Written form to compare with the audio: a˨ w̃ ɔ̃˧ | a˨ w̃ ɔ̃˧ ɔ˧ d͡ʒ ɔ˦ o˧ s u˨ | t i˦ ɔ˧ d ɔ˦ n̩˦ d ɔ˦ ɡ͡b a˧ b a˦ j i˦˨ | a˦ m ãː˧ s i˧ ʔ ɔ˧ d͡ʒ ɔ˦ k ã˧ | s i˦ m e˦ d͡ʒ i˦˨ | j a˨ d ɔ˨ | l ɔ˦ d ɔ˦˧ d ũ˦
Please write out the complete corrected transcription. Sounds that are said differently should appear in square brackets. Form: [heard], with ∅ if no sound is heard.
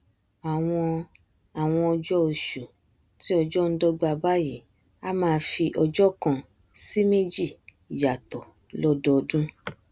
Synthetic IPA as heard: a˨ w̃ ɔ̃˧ | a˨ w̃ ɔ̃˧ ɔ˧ d͡ʒ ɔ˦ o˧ [ʃ] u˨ | t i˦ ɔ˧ [d͡ʒ] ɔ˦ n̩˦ d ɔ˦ ɡ͡b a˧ b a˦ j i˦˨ | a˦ m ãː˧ [f] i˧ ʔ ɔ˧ d͡ʒ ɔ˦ k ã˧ | s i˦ m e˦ d͡ʒ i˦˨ | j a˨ [t] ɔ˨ | l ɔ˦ d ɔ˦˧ d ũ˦